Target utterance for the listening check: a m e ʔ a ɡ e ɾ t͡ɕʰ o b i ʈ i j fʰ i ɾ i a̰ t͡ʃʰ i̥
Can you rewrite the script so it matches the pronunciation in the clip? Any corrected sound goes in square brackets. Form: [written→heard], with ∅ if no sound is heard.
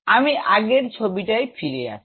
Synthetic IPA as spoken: a m [e→i] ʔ a ɡ e ɾ t͡ɕʰ o b i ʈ [i→a] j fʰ i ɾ [i→e] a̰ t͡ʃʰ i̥